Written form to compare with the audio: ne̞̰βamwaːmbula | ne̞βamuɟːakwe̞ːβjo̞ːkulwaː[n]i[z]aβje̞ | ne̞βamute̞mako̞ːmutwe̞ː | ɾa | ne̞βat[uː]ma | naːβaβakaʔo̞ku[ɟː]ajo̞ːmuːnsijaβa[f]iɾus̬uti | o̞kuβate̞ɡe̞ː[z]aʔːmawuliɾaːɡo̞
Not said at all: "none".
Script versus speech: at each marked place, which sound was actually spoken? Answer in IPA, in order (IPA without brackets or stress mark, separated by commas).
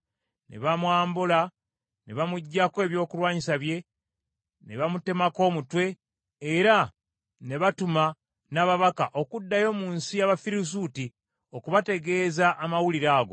ɲ, s, u, dː, f, z